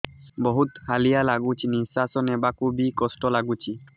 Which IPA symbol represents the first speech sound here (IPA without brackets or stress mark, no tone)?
b